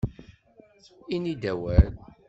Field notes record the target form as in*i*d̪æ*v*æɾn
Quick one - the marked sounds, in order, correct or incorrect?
correct, incorrect

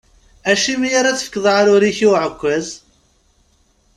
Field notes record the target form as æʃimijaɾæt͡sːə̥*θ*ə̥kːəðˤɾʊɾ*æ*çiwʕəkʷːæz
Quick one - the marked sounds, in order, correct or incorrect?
incorrect, incorrect

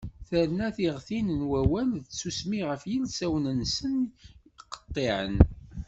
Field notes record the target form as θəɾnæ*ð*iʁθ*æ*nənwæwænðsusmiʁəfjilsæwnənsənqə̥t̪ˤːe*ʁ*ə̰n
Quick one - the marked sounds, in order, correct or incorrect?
incorrect, incorrect, incorrect

